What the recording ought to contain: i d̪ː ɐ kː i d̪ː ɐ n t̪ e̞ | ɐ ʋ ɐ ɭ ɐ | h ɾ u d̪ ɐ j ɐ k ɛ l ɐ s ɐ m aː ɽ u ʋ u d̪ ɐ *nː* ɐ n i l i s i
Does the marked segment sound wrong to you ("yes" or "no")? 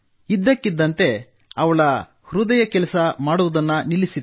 no